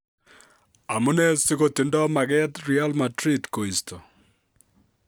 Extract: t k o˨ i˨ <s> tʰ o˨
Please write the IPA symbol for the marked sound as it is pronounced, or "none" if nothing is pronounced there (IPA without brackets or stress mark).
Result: s